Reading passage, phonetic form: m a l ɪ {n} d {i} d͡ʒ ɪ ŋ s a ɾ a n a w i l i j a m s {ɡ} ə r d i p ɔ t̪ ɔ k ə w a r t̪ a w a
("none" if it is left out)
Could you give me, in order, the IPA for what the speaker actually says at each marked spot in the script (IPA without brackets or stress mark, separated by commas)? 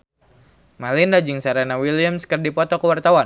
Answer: n, a, k